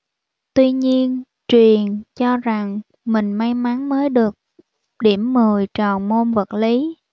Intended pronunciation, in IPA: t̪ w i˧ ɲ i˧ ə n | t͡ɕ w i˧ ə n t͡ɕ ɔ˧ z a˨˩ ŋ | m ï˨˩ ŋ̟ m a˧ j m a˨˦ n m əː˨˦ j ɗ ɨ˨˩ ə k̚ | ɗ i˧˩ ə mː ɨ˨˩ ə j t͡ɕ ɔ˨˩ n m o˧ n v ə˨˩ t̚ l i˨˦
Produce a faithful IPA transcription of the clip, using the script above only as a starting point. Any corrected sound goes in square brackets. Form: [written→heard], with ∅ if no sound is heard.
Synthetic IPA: t̪ w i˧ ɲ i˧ ə n | t͡ɕ w [i˧→i˨˩] ə n t͡ɕ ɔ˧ z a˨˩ ŋ | m ï˨˩ ŋ̟ m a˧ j m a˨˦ n m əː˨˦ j ɗ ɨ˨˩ ə k̚ | ɗ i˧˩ ə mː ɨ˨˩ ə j t͡ɕ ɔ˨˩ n m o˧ n v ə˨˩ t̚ l i˨˦

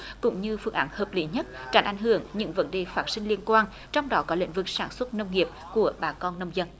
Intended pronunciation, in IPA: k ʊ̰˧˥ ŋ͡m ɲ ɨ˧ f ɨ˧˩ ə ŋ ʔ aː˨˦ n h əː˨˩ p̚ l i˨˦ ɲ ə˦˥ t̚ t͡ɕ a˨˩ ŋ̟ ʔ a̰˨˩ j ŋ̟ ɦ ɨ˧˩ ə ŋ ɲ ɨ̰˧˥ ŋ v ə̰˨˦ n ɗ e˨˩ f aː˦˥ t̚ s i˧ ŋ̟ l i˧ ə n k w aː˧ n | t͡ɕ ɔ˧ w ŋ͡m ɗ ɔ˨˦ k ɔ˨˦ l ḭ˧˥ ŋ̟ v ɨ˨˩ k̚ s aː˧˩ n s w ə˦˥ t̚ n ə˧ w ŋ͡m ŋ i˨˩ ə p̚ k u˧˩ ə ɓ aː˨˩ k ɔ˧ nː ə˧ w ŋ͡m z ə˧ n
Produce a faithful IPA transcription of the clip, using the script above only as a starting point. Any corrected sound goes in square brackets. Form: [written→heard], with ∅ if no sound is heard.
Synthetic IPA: k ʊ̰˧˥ ŋ͡m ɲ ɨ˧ f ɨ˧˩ ə ŋ ʔ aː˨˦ n h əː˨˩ p̚ l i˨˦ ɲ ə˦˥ t̚ t͡ɕ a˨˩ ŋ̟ ʔ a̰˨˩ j ŋ̟ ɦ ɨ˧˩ ə ŋ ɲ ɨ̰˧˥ ŋ v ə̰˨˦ n ɗ e˨˩ f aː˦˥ t̚ s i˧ ŋ̟ l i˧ ə n k w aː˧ n | t͡ɕ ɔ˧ w ŋ͡m ɗ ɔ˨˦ k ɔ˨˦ l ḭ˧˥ ŋ̟ v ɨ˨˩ k̚ s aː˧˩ n s w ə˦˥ t̚ n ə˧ w ŋ͡m ŋ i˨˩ ə p̚ k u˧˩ ə ɓ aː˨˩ k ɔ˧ nː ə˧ w ŋ͡m z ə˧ n

